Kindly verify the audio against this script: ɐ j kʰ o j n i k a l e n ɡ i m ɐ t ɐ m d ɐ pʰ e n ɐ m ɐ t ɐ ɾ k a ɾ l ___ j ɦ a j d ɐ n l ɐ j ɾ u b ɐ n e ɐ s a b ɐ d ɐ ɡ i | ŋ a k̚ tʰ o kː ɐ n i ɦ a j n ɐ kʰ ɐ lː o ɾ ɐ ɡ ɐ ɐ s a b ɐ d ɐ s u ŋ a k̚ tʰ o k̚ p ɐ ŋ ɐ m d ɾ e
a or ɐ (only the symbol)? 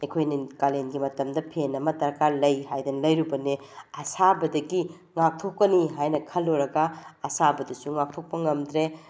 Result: ɐ